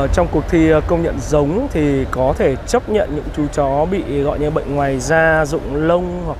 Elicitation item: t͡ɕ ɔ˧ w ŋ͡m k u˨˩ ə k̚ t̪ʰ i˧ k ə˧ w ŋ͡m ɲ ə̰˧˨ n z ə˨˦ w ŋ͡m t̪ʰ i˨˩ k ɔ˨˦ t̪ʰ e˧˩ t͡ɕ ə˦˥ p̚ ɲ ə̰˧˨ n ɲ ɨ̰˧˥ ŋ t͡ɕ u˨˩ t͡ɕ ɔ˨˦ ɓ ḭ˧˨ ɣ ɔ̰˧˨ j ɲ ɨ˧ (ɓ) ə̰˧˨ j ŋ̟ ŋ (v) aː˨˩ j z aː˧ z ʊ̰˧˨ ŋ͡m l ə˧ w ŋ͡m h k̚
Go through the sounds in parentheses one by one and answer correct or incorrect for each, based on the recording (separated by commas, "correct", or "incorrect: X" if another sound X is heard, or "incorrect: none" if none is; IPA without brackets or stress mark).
correct, incorrect: w